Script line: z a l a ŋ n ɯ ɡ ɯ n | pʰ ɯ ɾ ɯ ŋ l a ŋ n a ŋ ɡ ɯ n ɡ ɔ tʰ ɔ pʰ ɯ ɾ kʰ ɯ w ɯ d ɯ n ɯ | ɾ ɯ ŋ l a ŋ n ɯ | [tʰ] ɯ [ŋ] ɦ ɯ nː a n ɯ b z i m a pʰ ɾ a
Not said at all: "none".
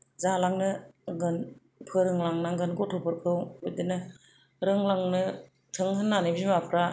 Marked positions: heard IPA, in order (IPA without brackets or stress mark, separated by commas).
tʰ, ŋ